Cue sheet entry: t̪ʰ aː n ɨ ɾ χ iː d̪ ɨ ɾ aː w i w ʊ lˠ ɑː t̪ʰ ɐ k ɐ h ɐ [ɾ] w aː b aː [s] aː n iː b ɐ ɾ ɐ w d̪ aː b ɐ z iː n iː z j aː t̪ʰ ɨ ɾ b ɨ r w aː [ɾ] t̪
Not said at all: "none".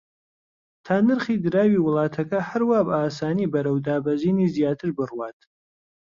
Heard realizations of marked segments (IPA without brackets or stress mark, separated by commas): ɾ, s, none